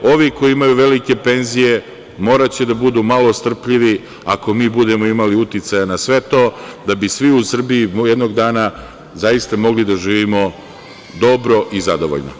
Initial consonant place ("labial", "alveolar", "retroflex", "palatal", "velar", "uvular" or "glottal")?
labial